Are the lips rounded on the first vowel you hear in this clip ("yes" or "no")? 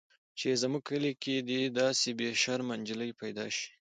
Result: no